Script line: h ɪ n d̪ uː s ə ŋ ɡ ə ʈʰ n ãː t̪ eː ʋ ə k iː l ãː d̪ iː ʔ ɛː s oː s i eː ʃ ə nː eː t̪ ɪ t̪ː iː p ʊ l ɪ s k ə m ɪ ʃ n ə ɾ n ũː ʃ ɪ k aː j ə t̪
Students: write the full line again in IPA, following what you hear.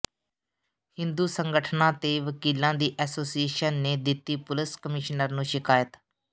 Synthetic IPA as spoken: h ɪ n d̪ uː s ə ŋ ɡ ə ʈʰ n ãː t̪ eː ʋ ə k iː l ãː d̪ iː ʔ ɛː s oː s i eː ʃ ə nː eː d̪ ɪ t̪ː iː p ʊ l ɪ s k ə m ɪ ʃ n ə ɾ n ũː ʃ ɪ k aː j ə t̪